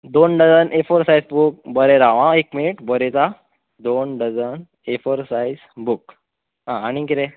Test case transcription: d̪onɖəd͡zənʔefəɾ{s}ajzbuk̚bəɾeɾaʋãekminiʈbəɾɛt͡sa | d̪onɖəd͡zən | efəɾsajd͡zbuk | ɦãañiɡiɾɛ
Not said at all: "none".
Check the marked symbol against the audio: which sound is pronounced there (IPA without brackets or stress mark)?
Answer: s